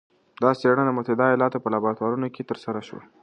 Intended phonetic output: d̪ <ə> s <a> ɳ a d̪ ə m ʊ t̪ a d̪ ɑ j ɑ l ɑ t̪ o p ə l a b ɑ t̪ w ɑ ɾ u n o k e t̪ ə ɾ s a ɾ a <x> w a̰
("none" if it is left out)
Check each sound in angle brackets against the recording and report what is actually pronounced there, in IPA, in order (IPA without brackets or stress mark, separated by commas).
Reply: ɑ, e, ʃ